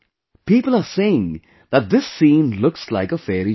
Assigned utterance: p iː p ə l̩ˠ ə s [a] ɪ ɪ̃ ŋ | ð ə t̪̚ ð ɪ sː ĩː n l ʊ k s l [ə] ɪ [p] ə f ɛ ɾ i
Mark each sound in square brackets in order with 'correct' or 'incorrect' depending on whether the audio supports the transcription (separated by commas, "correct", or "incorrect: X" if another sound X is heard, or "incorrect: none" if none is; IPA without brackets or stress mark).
incorrect: e, incorrect: a, incorrect: k